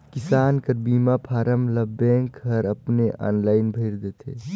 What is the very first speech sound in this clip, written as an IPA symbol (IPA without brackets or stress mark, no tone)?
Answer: k